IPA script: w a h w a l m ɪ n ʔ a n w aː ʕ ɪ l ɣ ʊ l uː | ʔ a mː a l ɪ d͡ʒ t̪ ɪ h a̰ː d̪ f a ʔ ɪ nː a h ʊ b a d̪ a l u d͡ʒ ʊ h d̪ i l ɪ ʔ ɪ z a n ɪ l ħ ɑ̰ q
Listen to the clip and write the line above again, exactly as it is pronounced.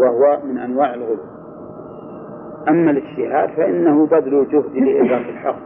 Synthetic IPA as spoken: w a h w a m ɪ n ʔ a n w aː ʕ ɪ l ɣ ʊ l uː | ʔ a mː a l ɪ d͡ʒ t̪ ɪ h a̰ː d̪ f a ʔ ɪ nː a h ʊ b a d̪ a l u d͡ʒ ʊ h d̪ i l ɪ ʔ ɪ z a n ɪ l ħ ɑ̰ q